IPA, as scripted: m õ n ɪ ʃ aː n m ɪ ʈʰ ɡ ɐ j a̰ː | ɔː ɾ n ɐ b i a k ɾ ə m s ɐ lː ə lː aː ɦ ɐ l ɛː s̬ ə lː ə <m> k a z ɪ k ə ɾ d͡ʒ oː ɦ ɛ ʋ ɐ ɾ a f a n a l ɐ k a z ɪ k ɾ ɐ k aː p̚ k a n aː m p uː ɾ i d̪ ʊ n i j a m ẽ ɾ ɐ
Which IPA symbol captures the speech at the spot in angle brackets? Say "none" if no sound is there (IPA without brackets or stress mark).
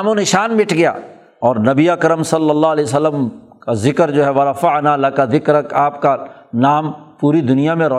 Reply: m